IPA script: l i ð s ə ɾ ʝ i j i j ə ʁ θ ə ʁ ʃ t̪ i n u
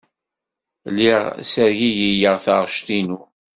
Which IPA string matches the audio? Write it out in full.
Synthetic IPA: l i ʁ s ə ɾ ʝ i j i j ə ʁ θ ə ʁ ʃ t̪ i n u

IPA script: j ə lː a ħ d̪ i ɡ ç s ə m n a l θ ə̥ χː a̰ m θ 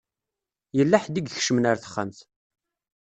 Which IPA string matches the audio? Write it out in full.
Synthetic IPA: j ə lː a ħ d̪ i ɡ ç ʃ ə m n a ɾ θ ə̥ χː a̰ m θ

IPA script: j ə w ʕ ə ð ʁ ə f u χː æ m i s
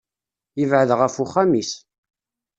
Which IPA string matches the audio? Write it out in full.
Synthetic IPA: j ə v ʕ ə ð ʁ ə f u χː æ m i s

